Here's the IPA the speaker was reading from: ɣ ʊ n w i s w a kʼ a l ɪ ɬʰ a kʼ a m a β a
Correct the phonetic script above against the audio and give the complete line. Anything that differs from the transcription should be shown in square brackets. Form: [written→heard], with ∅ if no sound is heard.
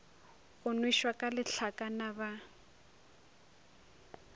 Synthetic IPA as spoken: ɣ ʊ n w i [s→ʃ] w a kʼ a l ɪ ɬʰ a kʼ a [m→n] a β a